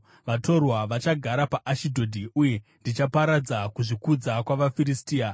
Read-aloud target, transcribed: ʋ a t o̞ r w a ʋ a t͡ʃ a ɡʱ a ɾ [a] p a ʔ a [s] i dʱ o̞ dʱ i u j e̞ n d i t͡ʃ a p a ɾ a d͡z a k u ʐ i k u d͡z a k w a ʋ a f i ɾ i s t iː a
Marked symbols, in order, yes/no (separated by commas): yes, no